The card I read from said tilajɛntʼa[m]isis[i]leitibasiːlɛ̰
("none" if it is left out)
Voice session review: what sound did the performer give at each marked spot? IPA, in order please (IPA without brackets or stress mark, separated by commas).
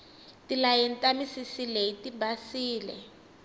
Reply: m, i